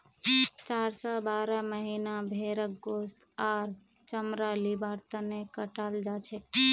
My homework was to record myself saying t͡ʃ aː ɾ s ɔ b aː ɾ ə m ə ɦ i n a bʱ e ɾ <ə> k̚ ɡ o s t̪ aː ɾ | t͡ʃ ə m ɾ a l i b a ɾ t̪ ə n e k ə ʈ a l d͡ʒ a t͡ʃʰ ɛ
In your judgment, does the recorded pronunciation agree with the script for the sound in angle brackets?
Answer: yes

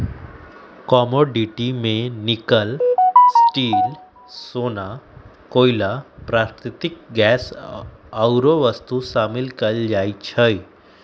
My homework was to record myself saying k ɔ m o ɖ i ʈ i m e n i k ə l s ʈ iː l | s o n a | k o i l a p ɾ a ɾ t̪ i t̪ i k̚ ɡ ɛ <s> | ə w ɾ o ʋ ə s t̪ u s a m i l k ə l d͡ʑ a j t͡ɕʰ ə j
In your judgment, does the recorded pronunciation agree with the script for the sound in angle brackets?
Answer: yes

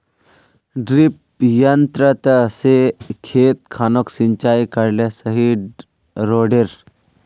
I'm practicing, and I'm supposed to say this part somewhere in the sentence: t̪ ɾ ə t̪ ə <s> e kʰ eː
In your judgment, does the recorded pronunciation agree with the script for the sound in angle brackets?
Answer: yes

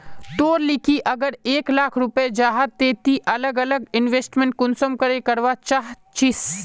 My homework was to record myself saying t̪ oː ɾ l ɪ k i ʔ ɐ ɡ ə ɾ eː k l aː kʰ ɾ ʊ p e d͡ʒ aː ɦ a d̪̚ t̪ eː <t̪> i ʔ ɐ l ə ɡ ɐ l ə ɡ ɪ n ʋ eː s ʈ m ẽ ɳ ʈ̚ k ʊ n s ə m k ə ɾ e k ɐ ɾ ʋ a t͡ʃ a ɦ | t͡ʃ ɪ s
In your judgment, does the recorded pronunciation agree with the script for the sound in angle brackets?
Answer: yes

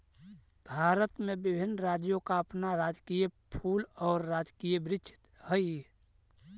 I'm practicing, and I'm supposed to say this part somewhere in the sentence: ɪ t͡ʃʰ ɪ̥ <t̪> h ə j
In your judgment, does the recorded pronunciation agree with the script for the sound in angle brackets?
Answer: yes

